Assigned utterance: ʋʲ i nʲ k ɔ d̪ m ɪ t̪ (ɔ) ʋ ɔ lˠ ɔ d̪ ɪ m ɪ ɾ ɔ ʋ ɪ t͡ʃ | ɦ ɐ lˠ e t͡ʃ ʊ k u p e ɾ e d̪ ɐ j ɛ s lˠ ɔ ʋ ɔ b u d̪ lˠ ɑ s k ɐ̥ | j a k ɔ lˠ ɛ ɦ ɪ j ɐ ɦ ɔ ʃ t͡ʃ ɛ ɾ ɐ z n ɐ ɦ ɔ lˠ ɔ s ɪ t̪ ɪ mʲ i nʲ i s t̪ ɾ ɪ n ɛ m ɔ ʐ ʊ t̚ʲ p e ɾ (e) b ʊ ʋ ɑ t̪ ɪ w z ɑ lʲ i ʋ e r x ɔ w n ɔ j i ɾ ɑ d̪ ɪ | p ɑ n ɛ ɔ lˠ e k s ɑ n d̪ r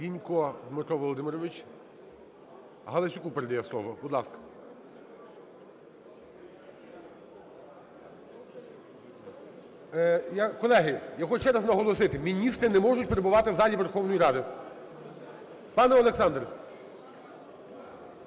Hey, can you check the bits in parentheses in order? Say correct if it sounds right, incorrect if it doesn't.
correct, correct

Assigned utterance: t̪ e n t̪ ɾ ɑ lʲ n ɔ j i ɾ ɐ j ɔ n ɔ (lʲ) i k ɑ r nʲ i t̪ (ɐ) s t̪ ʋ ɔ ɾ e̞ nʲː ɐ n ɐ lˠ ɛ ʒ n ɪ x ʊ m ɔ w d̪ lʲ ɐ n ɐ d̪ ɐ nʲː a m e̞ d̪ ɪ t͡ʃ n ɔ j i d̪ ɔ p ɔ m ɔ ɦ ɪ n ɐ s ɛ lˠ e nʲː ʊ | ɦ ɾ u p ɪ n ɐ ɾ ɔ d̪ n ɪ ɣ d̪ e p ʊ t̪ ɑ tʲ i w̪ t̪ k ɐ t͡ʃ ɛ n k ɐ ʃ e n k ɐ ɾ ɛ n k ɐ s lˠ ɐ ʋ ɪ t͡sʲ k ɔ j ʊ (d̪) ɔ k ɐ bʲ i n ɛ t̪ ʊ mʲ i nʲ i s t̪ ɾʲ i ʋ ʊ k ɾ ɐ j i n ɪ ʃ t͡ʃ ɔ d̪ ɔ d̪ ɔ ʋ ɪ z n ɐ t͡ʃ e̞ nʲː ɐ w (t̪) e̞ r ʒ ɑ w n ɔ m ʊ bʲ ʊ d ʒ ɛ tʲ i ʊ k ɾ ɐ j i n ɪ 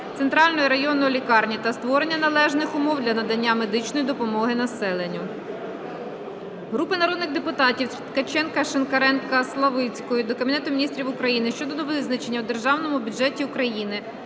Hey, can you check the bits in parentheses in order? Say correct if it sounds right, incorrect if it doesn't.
correct, correct, correct, incorrect: d̪

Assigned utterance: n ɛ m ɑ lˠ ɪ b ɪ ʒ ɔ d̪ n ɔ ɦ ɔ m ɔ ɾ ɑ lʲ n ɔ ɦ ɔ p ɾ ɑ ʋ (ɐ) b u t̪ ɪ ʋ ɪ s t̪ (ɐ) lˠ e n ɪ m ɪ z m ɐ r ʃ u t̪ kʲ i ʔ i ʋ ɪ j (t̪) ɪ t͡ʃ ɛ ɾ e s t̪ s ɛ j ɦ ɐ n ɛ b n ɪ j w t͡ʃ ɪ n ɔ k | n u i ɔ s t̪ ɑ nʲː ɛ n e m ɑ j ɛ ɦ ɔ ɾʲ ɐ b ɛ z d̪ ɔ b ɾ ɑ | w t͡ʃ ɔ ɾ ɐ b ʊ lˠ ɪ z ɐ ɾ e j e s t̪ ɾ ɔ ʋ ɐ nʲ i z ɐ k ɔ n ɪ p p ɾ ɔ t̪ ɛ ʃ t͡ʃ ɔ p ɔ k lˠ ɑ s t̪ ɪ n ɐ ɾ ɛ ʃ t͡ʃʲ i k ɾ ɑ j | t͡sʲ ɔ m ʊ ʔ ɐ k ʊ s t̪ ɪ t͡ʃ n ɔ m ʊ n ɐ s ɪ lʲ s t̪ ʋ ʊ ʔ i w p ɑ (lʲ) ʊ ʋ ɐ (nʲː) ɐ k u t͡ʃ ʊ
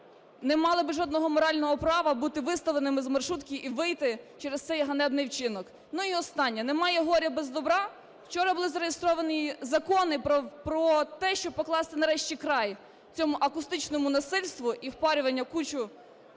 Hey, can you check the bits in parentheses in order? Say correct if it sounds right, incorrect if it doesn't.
correct, correct, correct, incorrect: ɾʲ, correct

